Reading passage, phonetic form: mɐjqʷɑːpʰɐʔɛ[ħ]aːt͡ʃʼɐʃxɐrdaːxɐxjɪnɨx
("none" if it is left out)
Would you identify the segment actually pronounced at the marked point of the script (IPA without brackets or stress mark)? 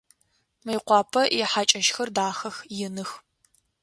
ħ